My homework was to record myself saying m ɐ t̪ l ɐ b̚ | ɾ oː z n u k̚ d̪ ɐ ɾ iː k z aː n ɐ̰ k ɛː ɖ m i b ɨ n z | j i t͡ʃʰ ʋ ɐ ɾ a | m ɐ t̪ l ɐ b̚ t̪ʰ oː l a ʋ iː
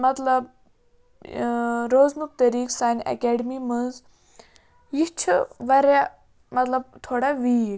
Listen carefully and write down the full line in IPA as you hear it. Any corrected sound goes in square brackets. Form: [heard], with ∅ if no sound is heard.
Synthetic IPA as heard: m ɐ t̪ l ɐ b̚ | ɾ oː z n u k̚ [t̪] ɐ ɾ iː k [s] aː n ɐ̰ k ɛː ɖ m i [m] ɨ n z | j i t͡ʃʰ ʋ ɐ ɾ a | m ɐ t̪ l ɐ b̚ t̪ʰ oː [ɽ] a ʋ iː